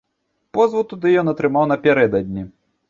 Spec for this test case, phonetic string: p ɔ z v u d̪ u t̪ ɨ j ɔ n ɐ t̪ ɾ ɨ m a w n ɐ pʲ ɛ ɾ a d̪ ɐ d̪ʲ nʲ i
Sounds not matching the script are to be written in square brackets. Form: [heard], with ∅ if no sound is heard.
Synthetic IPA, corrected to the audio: p ɔ z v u [t̪] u [d̪] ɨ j ɔ n ɐ t̪ ɾ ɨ m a w n ɐ pʲ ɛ ɾ [ɛ] d̪ ɐ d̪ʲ nʲ i